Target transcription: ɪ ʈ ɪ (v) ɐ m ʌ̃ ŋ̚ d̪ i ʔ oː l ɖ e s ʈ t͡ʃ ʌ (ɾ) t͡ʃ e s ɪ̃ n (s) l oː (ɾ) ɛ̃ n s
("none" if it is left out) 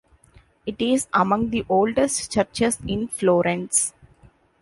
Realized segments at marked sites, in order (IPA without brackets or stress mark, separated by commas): z, ɾ, f, ɾ